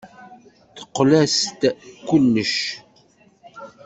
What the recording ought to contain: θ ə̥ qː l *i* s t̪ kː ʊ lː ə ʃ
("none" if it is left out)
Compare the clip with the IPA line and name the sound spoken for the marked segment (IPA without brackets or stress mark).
æ